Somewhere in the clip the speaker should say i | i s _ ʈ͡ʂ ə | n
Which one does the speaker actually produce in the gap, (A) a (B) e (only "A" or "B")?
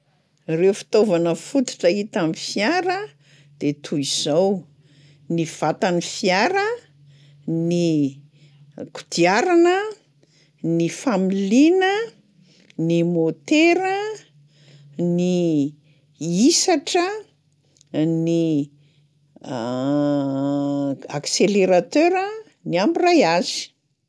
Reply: A